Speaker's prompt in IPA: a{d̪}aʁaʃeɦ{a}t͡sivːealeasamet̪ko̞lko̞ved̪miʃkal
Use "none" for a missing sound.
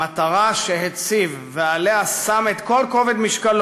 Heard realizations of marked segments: t̪, e

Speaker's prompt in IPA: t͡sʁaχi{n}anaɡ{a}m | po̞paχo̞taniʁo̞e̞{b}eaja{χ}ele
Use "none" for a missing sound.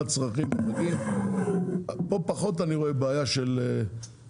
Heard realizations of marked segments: m, i, b, ʃ

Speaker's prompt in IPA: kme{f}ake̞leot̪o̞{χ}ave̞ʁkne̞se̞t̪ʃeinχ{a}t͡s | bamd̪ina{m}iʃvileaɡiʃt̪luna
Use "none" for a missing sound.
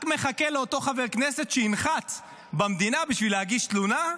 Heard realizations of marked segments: χ, χ, a, b

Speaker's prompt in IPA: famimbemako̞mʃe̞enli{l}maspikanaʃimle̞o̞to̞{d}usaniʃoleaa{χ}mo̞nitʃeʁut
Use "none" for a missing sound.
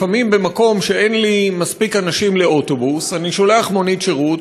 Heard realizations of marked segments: none, b, χ

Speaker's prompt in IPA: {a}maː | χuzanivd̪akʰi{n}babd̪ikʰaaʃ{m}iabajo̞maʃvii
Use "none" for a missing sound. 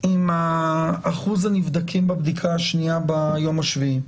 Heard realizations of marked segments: i, m, n

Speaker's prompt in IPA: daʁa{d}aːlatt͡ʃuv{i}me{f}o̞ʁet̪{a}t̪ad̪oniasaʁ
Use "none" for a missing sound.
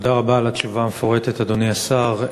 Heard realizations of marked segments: b, a, f, e

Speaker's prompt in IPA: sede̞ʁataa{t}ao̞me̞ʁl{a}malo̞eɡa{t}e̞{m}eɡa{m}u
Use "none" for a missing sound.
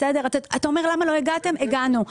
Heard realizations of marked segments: t, a, t, m, n

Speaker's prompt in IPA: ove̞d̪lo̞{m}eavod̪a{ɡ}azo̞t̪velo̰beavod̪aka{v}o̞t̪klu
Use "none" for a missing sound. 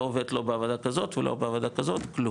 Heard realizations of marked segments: b, k, z

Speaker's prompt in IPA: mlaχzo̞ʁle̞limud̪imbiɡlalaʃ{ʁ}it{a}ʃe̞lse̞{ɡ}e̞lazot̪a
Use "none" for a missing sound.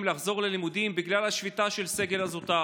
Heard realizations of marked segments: v, a, ɡ

